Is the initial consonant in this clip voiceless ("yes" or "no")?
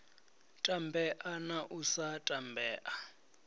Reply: yes